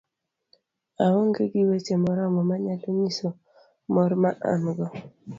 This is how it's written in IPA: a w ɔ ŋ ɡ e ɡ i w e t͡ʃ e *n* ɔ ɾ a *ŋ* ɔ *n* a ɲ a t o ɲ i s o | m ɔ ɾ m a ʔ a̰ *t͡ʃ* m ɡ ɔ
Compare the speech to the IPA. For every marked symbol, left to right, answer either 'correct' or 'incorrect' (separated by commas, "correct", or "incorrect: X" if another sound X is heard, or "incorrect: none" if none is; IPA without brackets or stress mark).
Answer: incorrect: m, incorrect: m, incorrect: m, incorrect: none